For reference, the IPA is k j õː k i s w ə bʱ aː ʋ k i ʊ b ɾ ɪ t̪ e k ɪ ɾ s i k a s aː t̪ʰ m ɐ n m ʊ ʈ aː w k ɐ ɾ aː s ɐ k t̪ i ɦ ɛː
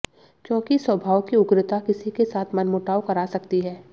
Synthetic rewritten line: k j õː k i s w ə bʱ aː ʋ k i ʊ ɡ ɾ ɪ t̪ a k ɪ s i k e s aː t̪ʰ m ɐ n m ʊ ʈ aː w k ɐ ɾ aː s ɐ k t̪ i ɦ ɛː